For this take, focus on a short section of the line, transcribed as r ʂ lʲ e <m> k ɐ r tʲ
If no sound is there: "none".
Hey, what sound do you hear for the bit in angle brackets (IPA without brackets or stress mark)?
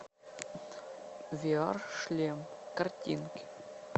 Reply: m